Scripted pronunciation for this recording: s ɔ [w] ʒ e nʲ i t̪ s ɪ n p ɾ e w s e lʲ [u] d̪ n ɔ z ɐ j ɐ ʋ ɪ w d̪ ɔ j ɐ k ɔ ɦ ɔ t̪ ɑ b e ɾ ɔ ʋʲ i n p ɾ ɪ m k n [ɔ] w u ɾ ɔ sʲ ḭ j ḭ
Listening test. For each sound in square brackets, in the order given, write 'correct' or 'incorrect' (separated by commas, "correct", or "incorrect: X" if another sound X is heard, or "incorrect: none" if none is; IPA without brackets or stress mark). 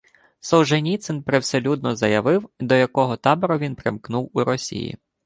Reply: correct, correct, incorrect: u